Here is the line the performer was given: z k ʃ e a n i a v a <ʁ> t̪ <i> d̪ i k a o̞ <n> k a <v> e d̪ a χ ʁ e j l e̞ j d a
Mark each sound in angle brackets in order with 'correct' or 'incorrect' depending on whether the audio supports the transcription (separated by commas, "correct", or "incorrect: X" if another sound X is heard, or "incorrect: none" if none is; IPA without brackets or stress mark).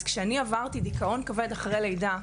correct, correct, correct, correct